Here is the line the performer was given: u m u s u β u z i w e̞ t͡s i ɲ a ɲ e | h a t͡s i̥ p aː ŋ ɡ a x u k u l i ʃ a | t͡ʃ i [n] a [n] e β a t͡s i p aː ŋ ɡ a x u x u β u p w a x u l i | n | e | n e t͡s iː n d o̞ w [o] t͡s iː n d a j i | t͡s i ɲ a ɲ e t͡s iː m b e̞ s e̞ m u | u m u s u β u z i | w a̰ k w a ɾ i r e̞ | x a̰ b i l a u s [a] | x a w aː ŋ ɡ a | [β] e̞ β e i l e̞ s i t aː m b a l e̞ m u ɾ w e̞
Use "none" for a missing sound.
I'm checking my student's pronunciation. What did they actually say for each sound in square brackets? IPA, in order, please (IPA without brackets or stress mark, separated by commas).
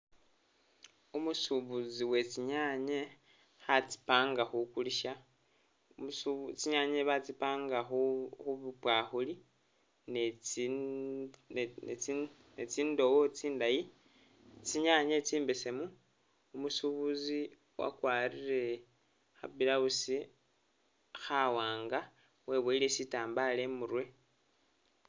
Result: ɲ, ɲ, o, i, w